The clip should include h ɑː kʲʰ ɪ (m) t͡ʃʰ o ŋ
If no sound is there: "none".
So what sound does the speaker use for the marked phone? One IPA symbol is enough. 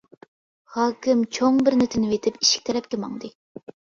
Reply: m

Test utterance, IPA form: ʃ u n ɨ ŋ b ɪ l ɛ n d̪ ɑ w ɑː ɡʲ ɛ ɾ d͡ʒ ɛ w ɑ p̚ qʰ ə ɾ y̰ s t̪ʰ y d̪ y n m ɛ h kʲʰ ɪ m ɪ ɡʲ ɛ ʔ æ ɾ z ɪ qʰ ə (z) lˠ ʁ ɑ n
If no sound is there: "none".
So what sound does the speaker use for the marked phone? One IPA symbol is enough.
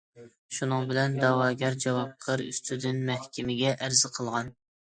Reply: none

